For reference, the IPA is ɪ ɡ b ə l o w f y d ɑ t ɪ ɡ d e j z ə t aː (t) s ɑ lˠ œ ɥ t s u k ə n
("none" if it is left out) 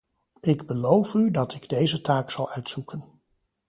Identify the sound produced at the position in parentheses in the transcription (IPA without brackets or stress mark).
k